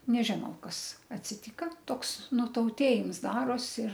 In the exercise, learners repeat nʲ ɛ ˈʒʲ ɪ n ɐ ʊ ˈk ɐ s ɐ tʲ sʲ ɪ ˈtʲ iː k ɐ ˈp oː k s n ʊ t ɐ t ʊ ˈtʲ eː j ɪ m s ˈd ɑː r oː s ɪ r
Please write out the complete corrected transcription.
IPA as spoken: nʲ ɛ ˈʒʲ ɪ n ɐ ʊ ˈk ɐ s ɐ tʲ sʲ ɪ ˈtʲ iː k ɐ ˈt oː k s n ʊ t ɐ ʊ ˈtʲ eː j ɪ m s ˈd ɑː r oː s ɪ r